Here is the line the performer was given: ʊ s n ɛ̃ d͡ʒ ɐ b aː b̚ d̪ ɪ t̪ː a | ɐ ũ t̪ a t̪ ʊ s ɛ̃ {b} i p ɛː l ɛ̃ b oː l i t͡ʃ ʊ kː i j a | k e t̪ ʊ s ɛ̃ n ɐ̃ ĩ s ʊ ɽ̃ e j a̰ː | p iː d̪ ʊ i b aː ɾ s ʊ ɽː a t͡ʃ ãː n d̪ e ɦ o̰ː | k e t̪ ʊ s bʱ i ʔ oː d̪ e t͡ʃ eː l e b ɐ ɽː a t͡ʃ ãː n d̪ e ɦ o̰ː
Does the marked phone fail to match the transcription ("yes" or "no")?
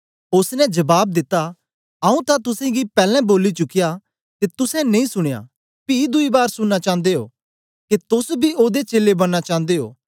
yes